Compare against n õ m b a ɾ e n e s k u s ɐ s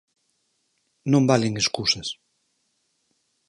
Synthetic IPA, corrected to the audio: n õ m b a l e ŋ e s k u s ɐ s